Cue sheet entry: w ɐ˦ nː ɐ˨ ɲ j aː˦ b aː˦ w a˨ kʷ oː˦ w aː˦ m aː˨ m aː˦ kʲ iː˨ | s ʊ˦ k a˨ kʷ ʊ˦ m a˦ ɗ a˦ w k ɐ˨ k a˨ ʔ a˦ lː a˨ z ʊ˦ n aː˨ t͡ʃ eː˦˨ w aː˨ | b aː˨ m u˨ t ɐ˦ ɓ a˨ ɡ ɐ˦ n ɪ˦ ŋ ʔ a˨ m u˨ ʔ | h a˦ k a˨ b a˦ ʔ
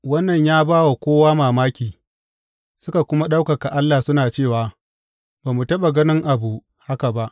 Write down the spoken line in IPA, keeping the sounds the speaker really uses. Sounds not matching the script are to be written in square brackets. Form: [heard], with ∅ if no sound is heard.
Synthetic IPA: w ɐ˦ nː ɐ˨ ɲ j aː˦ b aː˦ w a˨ kʷ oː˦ w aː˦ m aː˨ m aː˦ kʲ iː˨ | s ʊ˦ k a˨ kʷ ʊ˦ m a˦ ɗ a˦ w k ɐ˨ k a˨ ʔ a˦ lː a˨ [s] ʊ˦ n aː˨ t͡ʃ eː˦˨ w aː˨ | b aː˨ m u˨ t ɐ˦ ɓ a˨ ɡ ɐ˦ n ɪ˦ ŋ ʔ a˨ [b] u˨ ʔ | h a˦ k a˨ b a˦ ʔ

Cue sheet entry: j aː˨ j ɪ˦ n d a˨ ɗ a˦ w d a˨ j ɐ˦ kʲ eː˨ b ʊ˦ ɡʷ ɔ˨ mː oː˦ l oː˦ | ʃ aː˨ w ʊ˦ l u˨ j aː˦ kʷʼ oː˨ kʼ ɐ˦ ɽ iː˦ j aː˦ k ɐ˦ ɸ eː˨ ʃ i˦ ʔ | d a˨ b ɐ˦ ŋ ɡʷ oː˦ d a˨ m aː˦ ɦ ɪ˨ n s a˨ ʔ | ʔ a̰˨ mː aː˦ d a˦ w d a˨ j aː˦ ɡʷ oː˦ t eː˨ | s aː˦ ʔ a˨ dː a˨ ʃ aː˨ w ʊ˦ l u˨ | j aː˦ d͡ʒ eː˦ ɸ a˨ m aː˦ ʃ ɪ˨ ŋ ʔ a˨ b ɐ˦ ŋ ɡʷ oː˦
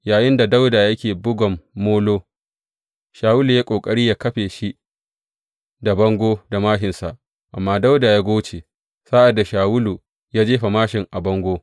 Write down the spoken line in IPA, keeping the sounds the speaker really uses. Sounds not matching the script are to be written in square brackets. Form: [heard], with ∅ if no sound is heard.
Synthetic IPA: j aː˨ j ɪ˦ n d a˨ [d] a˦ w d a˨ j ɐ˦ kʲ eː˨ b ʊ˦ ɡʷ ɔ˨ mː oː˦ l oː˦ | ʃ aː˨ w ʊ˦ l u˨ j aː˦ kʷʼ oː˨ kʼ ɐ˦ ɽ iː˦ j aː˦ k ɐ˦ ɸ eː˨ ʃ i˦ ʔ | d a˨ b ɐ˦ ŋ ɡʷ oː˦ d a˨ m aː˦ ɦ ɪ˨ n s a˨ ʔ | ʔ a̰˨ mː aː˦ d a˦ w d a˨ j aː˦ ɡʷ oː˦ [t͡ʃ] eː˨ | s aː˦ ʔ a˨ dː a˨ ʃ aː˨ w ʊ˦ l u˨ | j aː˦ d͡ʒ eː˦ ɸ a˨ m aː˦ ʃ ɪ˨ ŋ ʔ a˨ b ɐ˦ ŋ ɡʷ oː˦

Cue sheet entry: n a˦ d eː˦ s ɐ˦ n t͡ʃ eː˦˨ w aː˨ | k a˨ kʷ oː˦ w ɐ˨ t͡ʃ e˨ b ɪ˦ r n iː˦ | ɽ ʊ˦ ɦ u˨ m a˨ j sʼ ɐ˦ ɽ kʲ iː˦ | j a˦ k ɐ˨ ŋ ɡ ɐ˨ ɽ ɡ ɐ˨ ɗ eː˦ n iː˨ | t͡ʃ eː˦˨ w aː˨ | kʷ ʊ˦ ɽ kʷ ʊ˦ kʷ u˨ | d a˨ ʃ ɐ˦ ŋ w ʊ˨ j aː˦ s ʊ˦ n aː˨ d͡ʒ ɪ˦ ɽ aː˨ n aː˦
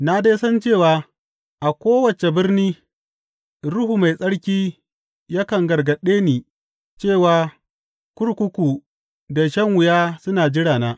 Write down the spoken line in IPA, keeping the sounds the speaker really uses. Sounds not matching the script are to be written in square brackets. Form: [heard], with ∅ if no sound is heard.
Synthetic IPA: n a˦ d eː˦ s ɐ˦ n t͡ʃ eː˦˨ w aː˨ | [ʔ] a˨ kʷ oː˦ w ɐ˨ t͡ʃ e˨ b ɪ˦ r n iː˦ | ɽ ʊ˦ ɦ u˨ m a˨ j sʼ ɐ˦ ɽ kʲ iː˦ | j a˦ k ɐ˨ ŋ ɡ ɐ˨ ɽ ɡ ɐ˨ ɗ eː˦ n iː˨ | t͡ʃ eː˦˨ w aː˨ | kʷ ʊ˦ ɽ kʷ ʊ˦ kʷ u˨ | d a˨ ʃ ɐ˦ ŋ w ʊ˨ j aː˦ s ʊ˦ n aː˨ d͡ʒ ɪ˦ ɽ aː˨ n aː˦

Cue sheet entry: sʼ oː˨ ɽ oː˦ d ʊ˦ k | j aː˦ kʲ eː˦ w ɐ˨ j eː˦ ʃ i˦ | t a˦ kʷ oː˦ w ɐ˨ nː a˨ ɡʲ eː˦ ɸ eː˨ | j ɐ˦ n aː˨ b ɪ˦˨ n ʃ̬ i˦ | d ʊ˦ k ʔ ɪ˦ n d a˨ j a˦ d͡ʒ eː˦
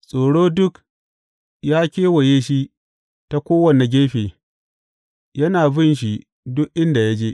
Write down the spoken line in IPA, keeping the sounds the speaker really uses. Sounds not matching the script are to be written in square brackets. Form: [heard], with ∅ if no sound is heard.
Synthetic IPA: sʼ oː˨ ɽ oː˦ d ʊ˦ k | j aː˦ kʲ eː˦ w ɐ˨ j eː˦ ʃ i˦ | t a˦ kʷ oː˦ w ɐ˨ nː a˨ ɡʲ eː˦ ɸ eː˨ | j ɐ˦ n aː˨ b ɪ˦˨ n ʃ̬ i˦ | d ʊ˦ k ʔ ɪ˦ n d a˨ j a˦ d͡ʒ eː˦

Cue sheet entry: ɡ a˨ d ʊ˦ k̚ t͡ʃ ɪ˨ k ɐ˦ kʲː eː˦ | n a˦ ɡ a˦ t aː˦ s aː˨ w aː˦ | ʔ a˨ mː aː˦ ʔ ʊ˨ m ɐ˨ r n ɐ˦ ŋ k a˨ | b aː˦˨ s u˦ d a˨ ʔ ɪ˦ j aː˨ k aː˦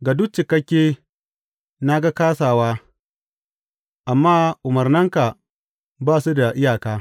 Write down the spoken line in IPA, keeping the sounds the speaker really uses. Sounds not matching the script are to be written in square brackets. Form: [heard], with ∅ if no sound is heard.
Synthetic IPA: ɡ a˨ d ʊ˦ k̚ t͡ʃ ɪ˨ k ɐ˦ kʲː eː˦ | n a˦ ɡ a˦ [k] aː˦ s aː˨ w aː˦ | ʔ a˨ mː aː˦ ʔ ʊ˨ m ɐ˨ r n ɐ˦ ŋ k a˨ | b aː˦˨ s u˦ d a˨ ʔ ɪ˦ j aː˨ k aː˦

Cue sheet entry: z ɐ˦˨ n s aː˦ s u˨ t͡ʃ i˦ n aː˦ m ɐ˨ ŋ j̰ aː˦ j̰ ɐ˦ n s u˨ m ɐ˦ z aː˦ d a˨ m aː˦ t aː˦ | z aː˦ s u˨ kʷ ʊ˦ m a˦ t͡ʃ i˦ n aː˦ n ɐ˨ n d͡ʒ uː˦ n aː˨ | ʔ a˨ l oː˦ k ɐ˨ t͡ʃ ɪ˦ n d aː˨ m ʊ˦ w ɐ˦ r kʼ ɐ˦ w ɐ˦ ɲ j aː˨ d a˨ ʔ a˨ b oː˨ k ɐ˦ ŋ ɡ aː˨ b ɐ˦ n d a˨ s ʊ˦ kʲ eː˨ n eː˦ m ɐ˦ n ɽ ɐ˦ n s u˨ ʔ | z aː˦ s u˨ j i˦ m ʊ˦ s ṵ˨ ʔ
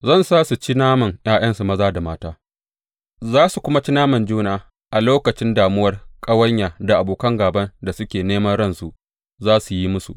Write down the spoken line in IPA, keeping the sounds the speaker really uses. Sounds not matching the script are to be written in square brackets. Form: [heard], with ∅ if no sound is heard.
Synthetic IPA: z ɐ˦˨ n s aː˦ s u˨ t͡ʃ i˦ n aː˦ m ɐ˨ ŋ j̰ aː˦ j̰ ɐ˦ n s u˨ m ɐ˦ z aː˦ d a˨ m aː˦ t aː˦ | z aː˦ s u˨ kʷ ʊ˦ m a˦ t͡ʃ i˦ n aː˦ [m] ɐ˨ n d͡ʒ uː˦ n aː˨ | ʔ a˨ l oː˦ k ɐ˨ t͡ʃ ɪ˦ n d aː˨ m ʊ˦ w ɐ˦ r kʼ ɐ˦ w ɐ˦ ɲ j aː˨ d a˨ ʔ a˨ b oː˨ k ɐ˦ ŋ ɡ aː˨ b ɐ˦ n d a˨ s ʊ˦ kʲ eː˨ n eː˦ m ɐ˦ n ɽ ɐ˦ n s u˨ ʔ | z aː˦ s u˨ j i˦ m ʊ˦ s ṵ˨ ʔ

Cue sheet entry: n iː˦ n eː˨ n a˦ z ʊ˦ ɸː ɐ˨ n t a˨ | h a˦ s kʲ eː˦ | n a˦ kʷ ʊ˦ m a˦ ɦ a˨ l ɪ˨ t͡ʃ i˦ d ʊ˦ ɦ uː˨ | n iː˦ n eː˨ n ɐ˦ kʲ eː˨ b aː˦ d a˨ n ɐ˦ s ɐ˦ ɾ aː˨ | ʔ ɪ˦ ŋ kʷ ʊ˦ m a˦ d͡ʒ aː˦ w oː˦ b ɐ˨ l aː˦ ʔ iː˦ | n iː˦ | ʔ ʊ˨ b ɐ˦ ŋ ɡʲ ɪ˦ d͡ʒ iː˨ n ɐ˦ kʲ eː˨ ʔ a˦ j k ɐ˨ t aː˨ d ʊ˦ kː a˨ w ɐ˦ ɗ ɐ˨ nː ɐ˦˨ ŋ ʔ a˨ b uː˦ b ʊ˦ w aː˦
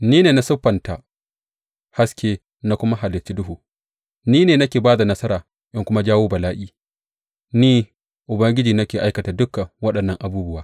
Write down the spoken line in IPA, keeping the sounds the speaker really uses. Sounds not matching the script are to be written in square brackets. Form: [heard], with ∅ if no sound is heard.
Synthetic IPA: n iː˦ n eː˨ n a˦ [s] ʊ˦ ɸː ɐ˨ n t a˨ | h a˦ s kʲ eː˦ | n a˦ kʷ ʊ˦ m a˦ ɦ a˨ l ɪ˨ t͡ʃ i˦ d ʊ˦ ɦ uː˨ | n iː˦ n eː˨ n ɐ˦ kʲ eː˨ b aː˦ d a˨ n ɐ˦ s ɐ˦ ɾ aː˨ | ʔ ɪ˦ ŋ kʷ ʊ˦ m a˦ d͡ʒ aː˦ w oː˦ b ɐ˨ l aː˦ ʔ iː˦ | n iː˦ | ʔ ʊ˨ b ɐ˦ ŋ ɡʲ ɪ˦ d͡ʒ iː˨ n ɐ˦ kʲ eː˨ ʔ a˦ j k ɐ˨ t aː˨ d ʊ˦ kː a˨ w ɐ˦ ɗ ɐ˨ nː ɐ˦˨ ŋ ʔ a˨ b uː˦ b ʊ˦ w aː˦

